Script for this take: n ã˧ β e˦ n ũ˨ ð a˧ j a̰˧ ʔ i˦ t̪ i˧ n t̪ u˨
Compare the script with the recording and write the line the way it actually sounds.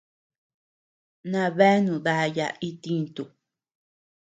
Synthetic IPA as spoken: n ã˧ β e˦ n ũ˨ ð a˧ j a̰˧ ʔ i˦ t̪ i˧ n t̪ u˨